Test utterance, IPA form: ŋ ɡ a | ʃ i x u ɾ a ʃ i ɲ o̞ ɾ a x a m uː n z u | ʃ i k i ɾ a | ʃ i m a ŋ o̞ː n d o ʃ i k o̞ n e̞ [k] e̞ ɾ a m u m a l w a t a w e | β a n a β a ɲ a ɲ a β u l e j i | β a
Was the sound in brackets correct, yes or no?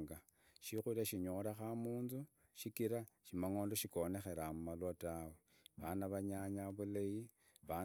no